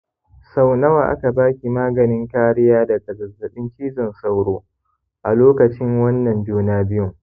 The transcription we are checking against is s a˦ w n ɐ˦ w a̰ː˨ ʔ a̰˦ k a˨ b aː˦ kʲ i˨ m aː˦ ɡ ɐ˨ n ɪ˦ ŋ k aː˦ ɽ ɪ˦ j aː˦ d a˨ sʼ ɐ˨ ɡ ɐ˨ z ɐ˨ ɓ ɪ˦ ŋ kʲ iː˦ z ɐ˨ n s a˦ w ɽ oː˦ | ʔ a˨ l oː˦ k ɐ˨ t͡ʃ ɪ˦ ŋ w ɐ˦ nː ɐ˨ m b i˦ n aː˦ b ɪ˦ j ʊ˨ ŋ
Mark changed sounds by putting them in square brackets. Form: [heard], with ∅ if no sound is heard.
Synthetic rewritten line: s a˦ w n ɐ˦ w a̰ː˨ ʔ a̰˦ k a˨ b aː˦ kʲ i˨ m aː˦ ɡ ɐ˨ n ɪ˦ ŋ k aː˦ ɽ ɪ˦ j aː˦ d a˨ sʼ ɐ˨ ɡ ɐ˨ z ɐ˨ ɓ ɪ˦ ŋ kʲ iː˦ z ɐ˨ n s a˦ w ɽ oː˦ | ʔ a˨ l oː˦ k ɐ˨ t͡ʃ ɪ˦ ŋ w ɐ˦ nː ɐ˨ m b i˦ n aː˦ b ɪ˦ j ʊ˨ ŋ